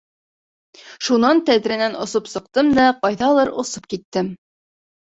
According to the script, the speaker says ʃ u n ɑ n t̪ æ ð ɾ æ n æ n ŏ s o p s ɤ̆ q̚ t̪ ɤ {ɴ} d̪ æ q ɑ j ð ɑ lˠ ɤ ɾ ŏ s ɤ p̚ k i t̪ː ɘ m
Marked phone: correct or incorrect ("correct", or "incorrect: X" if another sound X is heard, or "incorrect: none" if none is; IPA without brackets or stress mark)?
incorrect: m